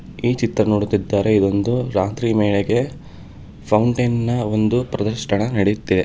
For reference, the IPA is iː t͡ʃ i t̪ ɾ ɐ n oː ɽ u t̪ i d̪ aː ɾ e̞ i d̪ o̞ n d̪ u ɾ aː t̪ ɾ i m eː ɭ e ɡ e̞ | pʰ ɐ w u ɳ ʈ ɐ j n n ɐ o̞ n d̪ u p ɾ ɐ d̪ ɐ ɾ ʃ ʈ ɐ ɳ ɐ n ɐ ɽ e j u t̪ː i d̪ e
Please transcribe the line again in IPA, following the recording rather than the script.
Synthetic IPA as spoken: iː t͡ʃ i t̪ ɾ ɐ n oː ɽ u t̪ i d̪ː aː ɾ e̞ i d̪ o̞ n d̪ u ɾ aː t̪ ɾ i m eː ɭ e ɡ e̞ | pʰ ɐ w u ɳ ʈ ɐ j n n ɐ o̞ n d̪ u p ɾ ɐ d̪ ɐ ɾ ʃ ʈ ɐ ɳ ɐ n ɐ ɽ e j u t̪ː i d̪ e